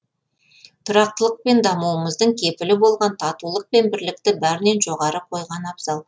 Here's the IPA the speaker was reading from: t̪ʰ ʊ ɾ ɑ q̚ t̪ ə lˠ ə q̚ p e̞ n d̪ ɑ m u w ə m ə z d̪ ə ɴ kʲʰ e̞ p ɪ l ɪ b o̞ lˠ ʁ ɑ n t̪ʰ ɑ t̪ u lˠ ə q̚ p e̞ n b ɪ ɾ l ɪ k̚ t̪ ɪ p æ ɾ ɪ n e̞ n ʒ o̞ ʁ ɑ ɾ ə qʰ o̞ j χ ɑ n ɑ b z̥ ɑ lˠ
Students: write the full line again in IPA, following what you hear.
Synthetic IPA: t̪ʰ ʊ ɾ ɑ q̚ t̪ ə lˠ ə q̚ p e̞ n d̪ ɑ m u w ə m ə z d̪ ə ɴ kʲʰ e̞ p ɪ l ɪ b o̞ lˠ ʁ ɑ n t̪ʰ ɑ t̪ u lˠ ə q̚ p e̞ n b ɪ ɾ l ɪ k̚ t̪ ɪ b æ ɾ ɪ n e̞ n ʒ o̞ ʁ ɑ ɾ ə qʰ o̞ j ʁ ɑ n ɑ b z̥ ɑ lˠ